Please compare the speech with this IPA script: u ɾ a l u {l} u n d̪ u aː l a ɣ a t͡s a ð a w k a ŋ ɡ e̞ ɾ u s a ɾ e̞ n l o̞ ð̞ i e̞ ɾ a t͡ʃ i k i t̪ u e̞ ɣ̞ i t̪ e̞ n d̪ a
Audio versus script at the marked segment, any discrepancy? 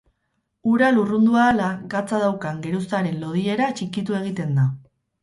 yes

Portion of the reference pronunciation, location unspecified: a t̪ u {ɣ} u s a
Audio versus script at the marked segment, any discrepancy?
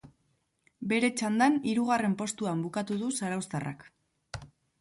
yes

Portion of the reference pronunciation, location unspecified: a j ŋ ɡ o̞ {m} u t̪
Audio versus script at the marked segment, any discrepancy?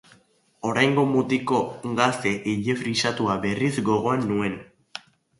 no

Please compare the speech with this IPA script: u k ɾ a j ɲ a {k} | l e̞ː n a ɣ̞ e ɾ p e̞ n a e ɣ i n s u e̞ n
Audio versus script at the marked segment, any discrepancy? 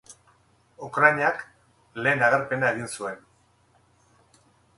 no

